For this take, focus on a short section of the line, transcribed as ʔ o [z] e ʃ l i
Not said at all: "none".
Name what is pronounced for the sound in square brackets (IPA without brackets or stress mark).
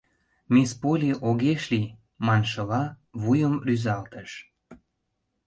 ɣ